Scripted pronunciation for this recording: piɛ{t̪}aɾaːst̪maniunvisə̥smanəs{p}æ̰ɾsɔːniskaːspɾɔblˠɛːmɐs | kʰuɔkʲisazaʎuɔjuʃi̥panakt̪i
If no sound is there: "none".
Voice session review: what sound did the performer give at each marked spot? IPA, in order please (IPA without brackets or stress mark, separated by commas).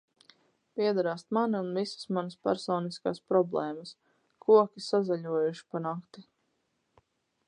d̪, p